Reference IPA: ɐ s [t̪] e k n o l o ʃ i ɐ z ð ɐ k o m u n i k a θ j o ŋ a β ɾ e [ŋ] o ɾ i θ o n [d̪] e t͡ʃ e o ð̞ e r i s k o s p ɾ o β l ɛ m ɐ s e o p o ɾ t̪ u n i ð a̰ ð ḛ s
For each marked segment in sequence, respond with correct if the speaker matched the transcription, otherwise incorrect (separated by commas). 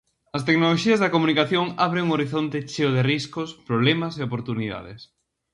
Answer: correct, correct, incorrect